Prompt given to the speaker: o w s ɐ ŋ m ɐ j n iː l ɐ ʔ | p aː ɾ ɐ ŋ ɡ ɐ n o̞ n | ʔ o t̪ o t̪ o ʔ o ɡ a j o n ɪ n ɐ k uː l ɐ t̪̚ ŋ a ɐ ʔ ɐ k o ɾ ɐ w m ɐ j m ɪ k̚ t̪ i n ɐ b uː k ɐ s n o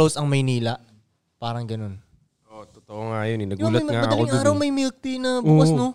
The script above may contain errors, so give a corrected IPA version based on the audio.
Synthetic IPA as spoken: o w s ɐ ŋ m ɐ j n iː l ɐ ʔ | p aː ɾ ɐ ŋ ɡ ɐ n o̞ n | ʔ o t̪ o t̪ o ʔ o ŋ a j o n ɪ n ɐ ɡ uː l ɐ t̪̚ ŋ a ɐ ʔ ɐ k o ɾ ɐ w m ɐ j m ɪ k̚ t̪ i n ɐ b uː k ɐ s n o